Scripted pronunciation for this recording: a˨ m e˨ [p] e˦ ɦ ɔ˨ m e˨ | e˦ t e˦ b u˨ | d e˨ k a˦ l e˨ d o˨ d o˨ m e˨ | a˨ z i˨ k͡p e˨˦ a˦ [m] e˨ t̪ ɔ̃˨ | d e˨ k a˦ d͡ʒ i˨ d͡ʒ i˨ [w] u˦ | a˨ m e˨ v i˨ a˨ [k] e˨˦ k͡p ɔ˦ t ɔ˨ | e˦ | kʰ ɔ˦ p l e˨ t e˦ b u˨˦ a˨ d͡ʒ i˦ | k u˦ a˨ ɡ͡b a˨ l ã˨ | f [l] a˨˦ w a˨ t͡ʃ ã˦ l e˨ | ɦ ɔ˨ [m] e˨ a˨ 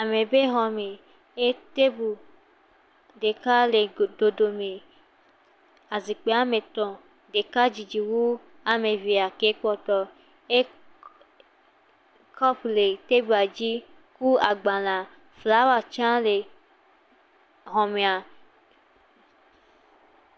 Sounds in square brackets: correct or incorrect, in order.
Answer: incorrect: b, correct, correct, correct, correct, correct

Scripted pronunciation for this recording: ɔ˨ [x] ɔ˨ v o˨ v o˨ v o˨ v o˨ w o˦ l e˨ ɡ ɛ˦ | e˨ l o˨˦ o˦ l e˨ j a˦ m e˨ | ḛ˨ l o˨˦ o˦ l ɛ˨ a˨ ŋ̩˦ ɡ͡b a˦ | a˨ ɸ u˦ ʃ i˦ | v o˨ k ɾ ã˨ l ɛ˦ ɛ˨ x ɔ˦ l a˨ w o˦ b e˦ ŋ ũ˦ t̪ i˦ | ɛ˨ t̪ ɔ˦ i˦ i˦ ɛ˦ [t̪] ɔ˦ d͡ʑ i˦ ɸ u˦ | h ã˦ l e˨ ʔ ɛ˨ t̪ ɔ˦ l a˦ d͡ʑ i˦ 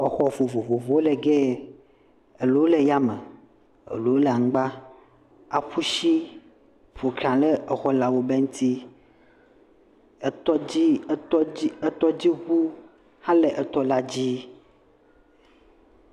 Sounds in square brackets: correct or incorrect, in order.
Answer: correct, correct

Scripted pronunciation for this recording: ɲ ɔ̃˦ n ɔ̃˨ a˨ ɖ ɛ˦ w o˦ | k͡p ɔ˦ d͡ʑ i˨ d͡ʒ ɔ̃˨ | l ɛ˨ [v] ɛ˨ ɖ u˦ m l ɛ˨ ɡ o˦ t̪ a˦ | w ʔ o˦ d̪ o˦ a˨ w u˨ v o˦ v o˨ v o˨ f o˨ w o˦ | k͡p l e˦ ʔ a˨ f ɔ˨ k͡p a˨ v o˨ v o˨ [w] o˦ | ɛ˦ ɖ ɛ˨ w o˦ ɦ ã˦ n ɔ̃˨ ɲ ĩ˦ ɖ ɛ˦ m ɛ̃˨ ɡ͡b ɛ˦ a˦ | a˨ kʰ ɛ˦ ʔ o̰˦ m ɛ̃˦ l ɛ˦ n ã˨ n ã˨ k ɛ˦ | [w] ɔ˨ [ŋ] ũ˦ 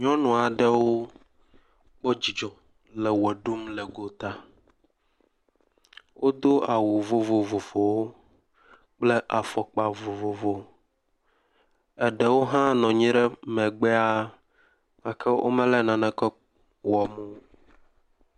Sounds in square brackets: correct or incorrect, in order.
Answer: incorrect: w, incorrect: v, correct, incorrect: m

